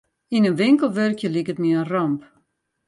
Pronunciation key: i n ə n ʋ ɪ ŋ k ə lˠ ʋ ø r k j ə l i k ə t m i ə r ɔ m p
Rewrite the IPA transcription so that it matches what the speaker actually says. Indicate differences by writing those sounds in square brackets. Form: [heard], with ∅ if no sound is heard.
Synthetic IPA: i n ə n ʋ ɪ ŋ k ə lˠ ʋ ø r k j ə l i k ə t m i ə r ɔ m p